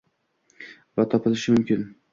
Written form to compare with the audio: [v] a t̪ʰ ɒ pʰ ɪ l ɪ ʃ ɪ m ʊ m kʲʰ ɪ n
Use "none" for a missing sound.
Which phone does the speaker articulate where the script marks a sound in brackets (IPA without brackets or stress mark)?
v